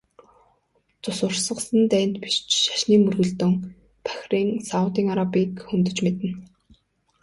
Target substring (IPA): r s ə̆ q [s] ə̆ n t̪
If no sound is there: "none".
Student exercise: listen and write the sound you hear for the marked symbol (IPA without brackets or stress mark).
s